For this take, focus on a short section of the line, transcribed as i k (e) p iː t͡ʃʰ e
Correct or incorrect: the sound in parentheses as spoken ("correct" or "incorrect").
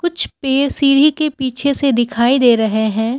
correct